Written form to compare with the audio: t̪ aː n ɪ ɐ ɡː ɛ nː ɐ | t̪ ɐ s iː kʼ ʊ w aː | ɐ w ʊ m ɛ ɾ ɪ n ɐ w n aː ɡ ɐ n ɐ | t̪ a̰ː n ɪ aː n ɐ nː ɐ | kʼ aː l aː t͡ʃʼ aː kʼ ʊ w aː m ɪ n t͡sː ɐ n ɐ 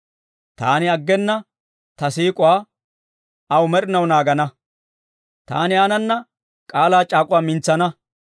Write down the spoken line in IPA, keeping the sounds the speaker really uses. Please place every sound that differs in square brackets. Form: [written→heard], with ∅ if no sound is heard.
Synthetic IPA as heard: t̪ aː n ɪ ɐ ɡː ɛ nː ɐ | t̪ ɐ s iː kʼ ʊ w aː | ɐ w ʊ m ɛ ɾ ɪ n ɐ w n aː ɡ ɐ n ɐ | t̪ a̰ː n ɪ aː n ɐ nː ɐ | kʼ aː l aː t͡ʃʼ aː kʼ ʊ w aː m ɪ n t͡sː ɐ n ɐ